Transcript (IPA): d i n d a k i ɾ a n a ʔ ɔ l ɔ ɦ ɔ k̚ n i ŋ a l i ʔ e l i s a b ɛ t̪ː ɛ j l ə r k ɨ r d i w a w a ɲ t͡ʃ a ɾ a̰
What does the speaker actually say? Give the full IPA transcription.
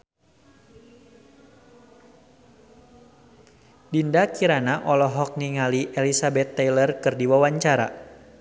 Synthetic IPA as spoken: d i n d a k i ɾ a n a ʔ ɔ l ɔ ɦ ɔ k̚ n i ŋ a l i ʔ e l i s a b ɛ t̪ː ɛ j l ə r k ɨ r d i w a w a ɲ t͡ʃ a ɾ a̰

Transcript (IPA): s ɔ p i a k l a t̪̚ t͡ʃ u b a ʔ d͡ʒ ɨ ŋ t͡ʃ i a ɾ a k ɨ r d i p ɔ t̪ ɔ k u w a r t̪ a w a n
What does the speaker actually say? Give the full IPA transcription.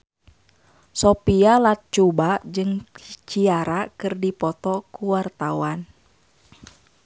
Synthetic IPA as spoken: s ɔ p i a l a t̪̚ t͡ʃ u b a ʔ d͡ʒ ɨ ŋ t͡ʃ i a ɾ a k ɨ r d i p ɔ t̪ ɔ k u w a r t̪ a w a n

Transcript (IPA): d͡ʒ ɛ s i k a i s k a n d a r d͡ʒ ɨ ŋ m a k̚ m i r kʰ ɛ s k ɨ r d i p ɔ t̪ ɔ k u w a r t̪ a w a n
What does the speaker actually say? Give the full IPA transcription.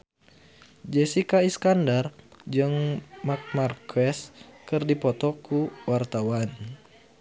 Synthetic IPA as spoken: d͡ʒ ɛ s i k a i s k a n d a r d͡ʒ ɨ ŋ m a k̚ m a r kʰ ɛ s k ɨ r d i p ɔ t̪ ɔ k u w a r t̪ a w a n

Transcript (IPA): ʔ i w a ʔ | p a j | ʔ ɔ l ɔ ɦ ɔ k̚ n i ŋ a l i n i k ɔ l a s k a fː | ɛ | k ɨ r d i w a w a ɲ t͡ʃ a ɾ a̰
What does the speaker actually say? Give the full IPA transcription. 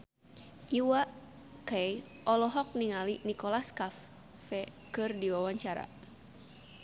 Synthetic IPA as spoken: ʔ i w a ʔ | k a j | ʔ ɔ l ɔ ɦ ɔ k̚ n i ŋ a l i n i k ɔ l a s k a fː | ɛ | k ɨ r d i w a w a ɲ t͡ʃ a ɾ a̰

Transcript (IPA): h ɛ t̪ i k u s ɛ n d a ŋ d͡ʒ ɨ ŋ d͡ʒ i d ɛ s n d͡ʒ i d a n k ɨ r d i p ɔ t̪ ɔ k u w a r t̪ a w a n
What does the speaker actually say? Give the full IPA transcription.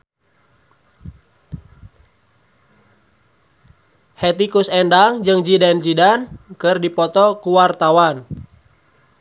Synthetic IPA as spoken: h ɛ t̪ i k u s ɛ n d a ŋ d͡ʒ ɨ ŋ d͡ʒ i d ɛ n d͡ʒ i d a n k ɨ r d i p ɔ t̪ ɔ k u w a r t̪ a w a n

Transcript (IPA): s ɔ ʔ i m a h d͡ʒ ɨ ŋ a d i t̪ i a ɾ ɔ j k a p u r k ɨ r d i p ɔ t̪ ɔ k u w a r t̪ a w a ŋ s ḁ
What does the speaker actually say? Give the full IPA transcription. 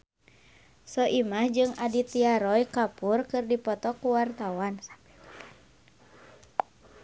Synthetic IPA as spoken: s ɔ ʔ i m a h d͡ʒ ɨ ŋ a d i t̪ i a ɾ ɔ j k a p u r k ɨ r d i p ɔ t̪ ɔ k u w a r t̪ a w a n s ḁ

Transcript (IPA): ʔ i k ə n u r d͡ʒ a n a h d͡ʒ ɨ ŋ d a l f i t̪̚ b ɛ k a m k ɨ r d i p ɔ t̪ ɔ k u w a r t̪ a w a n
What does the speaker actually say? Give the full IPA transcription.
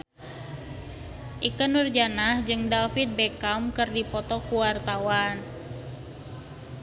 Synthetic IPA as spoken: ʔ i k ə n u r d͡ʒ a n a h d͡ʒ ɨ ŋ d a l f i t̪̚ b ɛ k a m k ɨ r d i p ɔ t̪ ɔ k u w a r t̪ a w a n

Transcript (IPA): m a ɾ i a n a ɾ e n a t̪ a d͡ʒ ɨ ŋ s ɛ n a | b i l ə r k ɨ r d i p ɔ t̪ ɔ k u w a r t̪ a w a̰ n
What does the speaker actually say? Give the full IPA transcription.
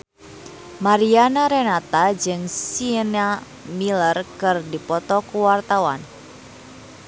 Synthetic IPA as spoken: m a ɾ i a n a ɾ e n a t̪ a d͡ʒ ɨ ŋ s i n a | m i l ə r k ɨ r d i p ɔ t̪ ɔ k u w a r t̪ a w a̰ n

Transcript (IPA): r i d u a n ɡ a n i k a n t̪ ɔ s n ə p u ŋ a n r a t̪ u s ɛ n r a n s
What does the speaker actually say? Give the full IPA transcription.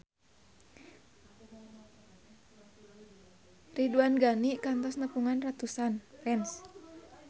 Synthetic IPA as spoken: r i d u a n ɡ a n i k a n t̪ ɔ s n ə p u ŋ a n r a t̪ u s a n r ɛ n s

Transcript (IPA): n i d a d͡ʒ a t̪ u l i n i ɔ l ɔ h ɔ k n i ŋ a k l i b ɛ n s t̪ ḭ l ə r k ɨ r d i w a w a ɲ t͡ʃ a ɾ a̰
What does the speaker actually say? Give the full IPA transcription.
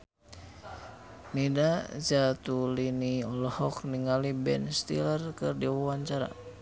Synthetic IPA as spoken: n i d a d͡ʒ a t̪ u l i n i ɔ l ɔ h ɔ k n i ŋ a l i b ɛ n s t̪ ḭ l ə r k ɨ r d i w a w a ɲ t͡ʃ a ɾ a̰

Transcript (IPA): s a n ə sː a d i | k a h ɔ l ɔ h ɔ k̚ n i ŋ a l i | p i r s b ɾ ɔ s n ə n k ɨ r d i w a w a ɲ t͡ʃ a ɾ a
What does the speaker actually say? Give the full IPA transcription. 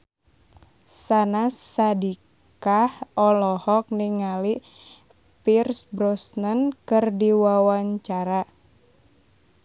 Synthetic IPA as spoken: s a n a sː a d i | k a h ɔ l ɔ h ɔ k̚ n i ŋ a l i | p i r s b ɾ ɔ s n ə n k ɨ r d i w a w a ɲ t͡ʃ a ɾ a

